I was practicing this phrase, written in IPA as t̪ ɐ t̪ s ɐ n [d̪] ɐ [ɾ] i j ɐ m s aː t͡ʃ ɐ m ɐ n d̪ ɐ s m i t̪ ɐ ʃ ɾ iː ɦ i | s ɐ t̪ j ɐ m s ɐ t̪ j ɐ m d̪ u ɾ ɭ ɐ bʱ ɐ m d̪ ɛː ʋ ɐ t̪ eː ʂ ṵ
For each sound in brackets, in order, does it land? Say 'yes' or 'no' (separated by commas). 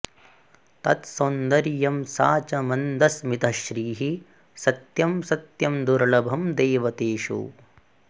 yes, yes